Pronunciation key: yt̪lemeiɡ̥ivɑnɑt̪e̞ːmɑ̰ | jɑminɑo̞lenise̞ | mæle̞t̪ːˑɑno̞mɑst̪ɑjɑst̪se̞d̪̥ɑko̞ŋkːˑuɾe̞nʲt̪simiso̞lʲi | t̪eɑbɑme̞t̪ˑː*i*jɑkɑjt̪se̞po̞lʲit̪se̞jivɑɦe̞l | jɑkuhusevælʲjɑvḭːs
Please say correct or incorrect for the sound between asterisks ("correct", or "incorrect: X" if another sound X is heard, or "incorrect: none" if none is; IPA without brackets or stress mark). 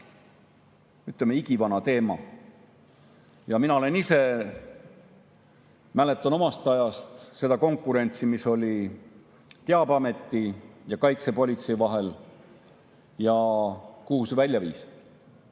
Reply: correct